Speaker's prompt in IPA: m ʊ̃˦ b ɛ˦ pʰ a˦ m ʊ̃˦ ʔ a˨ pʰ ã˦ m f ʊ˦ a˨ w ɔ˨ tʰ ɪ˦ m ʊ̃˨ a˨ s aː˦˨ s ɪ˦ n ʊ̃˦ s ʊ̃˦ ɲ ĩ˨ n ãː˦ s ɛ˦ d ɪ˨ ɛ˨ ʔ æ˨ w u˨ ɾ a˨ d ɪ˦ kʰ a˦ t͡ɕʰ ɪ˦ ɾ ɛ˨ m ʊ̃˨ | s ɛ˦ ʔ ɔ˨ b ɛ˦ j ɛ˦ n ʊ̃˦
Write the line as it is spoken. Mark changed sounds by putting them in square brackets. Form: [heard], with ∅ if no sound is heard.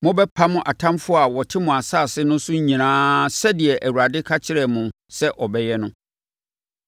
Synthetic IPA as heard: m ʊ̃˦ b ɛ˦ pʰ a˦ m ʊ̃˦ ʔ a˨ [tʰ] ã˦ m f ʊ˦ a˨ w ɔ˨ tʰ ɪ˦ m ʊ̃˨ a˨ s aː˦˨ s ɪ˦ n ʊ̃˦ s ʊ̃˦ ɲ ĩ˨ n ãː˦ s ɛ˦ d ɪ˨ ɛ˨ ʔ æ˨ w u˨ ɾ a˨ d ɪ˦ kʰ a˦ t͡ɕʰ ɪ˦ ɾ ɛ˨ m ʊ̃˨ | s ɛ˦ ʔ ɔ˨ b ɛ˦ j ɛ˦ n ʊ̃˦